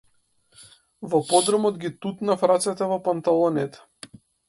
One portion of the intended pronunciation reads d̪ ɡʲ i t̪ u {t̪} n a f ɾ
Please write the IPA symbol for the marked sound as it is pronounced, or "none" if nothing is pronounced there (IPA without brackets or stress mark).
t̪